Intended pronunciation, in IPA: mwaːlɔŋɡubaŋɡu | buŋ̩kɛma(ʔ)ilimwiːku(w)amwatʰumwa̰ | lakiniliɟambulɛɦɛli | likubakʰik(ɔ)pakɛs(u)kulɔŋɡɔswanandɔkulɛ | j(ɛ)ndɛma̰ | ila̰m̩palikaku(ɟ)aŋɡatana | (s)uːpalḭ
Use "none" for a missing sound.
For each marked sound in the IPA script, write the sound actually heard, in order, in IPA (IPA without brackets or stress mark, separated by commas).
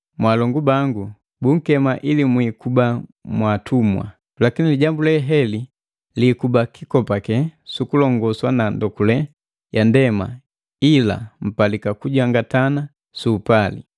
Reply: ʔ, b, ɔ, u, a, ɟ, s